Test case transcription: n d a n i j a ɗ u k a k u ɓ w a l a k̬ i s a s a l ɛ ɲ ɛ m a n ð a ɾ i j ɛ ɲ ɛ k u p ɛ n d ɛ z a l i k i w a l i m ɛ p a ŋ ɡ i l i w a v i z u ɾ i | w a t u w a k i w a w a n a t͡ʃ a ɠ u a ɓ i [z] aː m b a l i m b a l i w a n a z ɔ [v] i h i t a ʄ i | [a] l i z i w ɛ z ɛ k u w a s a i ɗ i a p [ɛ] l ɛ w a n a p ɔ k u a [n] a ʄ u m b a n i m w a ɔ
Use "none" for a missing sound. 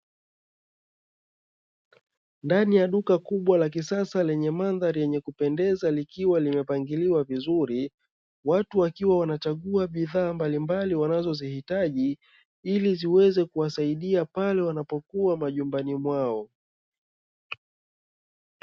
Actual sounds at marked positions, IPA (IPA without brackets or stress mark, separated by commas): ð, z, i, a, m